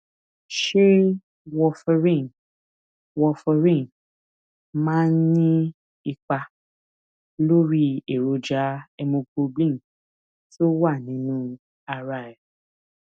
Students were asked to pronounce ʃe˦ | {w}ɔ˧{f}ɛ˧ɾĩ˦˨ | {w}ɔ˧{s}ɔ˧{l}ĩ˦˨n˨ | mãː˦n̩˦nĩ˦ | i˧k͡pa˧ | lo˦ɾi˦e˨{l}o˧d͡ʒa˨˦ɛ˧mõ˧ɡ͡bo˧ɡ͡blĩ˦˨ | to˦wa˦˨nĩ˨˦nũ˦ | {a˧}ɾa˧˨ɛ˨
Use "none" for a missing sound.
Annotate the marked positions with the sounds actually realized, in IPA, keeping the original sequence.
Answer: w, f, w, f, ɾ, ɾ, a˧

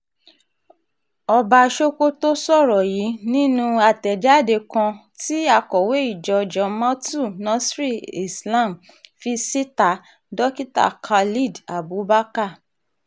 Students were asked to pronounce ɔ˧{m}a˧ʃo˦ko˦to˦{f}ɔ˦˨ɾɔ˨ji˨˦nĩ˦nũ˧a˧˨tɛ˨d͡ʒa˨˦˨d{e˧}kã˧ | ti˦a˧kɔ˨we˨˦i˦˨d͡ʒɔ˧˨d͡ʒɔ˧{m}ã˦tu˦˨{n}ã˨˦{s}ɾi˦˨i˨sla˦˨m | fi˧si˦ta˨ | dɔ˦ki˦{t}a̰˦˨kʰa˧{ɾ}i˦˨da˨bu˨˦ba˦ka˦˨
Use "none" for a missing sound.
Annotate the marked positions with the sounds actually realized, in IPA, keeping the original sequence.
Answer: b, s, e˧, m, n, s, t, l

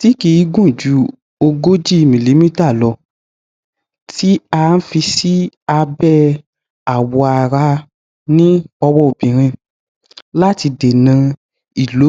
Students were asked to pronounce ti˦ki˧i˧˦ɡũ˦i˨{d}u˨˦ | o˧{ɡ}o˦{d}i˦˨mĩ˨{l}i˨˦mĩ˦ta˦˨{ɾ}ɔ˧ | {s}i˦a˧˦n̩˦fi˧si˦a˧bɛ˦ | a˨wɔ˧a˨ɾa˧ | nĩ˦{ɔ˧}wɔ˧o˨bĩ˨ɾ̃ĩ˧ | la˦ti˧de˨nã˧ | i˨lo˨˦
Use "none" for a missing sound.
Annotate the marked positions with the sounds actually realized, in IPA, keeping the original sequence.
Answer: d͡ʒ, ɡ, d͡ʒ, l, l, t, ɔ˧

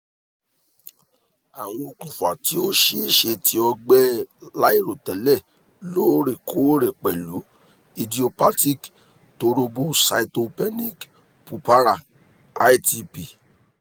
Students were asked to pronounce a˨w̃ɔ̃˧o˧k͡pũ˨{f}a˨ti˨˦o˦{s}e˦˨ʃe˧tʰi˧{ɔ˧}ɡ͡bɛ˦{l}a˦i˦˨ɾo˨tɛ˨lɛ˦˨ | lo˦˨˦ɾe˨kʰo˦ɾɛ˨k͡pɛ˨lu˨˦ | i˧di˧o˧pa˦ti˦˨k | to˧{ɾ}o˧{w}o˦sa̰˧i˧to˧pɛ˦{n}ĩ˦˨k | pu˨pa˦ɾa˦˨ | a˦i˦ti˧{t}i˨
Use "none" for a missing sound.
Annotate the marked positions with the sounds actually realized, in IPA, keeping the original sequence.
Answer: f, ʃ, ɔ˧, l, ɾ, b, n, p

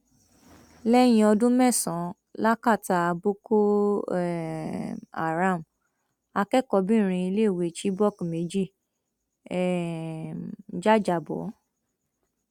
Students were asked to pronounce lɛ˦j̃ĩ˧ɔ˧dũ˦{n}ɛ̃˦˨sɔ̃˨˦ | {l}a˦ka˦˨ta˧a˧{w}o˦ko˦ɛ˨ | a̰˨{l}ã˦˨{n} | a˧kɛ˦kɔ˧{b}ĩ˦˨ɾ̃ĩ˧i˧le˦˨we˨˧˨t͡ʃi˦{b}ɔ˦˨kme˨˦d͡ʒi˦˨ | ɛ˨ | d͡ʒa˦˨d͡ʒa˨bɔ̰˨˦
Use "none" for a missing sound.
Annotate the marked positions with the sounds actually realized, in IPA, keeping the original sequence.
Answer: m, l, b, ɾ, m, b, b

